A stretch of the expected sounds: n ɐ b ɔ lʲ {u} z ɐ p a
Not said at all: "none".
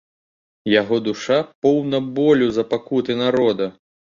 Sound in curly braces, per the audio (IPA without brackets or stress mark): u